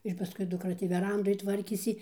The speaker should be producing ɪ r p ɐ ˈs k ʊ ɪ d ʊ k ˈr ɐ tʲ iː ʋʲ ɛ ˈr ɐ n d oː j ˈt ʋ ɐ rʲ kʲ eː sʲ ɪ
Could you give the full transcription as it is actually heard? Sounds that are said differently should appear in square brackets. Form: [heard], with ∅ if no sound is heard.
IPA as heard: ɪ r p ɐ ˈs k ʊ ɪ d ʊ k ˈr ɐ tʲ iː ʋʲ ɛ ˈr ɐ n d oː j ˈt ʋ ɐ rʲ kʲ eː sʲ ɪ